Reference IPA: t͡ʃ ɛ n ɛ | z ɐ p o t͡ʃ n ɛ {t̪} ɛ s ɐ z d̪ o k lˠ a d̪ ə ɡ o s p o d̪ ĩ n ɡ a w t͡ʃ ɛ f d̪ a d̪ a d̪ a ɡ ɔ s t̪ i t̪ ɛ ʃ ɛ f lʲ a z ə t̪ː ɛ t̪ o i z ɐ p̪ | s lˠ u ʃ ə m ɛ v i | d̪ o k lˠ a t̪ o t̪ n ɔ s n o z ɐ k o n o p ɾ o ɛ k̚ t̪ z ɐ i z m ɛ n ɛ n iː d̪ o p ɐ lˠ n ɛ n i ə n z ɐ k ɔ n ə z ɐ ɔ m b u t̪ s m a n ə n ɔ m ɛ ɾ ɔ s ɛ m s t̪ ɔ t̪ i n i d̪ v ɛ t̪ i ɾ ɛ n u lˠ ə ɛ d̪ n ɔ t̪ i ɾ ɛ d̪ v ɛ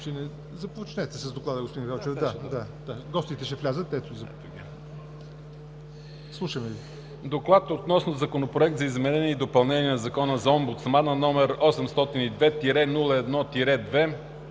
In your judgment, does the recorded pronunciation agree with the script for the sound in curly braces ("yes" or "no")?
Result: yes